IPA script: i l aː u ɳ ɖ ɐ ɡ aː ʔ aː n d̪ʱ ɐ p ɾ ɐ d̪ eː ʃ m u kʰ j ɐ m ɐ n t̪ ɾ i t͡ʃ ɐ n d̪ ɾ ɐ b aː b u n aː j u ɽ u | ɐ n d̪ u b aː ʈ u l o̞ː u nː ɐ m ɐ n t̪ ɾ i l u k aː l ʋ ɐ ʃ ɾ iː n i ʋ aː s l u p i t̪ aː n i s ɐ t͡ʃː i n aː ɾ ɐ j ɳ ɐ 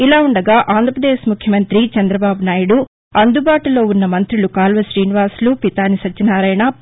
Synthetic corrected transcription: i l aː u ɳ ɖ ɐ ɡ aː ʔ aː n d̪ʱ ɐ p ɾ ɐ d̪ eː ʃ m u kʰ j ɐ m ɐ n t̪ ɾ i t͡ʃ ɐ n d̪ ɾ ɐ b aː b u n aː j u ɽ u | ɐ n d̪ u b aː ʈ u l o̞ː u nː ɐ m ɐ n t̪ ɾ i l u k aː l ʋ ɐ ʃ ɾ iː n i ʋ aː s l u p i t̪ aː n i s ɐ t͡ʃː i n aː ɾ ɐ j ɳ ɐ